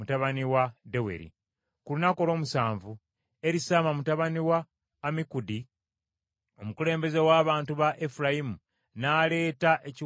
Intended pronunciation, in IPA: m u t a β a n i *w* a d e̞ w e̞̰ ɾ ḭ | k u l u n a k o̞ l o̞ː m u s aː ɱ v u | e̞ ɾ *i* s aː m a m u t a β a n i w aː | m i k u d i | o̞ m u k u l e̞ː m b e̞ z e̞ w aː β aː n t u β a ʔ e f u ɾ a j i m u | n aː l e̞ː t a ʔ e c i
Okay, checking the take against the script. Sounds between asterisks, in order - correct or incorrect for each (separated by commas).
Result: correct, correct